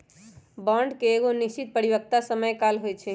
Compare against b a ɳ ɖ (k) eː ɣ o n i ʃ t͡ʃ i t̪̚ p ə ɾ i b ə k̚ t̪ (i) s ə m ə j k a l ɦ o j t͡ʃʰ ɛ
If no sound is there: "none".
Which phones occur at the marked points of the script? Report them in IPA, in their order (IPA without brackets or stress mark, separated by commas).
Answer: k, a